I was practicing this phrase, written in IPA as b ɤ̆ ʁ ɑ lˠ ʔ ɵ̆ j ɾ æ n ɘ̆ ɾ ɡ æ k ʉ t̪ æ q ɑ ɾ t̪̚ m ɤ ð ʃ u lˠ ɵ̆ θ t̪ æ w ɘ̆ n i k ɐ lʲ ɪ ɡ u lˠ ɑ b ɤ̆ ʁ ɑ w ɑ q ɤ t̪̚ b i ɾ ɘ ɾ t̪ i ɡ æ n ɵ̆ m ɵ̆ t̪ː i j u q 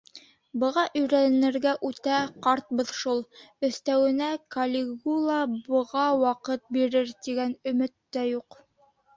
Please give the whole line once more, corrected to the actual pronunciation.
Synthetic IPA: b ɤ̆ ʁ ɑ ʔ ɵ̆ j ɾ æ n ɘ̆ ɾ ɡ æ ʔ ʉ t̪ æ q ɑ ɾ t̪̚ b ɤ ð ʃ u lˠ ɵ̆ θ t̪ æ w ɘ̆ n æ k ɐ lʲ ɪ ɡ u lˠ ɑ b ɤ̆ ʁ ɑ w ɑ q ɤ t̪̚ b i ɾ ɘ ɾ t̪ i ɡ æ n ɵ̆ m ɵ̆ t̪ː æ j u q